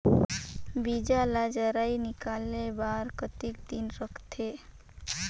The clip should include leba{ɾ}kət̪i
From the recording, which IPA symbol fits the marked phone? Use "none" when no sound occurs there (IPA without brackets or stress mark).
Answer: ɾ